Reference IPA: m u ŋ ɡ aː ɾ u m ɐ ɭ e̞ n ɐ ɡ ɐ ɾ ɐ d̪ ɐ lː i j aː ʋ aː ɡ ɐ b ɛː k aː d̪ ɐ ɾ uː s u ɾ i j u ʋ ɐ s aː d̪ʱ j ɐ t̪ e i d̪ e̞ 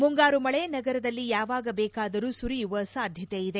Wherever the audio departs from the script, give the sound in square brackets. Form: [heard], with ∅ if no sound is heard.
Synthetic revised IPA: m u ŋ ɡ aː ɾ u m ɐ ɭ e̞ n ɐ ɡ ɐ ɾ ɐ d̪ ɐ lː i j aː ʋ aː ɡ ɐ b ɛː k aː d̪ ɐ ɾ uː s u ɾ i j u ʋ ɐ s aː d̪ʱ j ɐ t̪ e i d̪ e̞